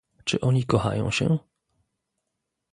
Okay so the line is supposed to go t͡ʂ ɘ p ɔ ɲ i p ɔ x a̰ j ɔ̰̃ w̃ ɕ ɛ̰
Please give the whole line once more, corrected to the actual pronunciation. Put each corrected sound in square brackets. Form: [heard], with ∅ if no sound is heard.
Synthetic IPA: t͡ʂ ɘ [ʔ] ɔ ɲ i [k] ɔ x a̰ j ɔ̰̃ w̃ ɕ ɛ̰